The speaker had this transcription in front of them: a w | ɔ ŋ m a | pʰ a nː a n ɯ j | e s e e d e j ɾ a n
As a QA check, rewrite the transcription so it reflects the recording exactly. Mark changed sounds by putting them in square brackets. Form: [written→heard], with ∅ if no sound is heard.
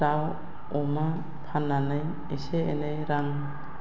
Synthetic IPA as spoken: a w | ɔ [ŋ→∅] m a | pʰ a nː a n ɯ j | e s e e [d→n] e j ɾ a [n→ŋ]